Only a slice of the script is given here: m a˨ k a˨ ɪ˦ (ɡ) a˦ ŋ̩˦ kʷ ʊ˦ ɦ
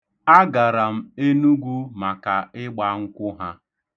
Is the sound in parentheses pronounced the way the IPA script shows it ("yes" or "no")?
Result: no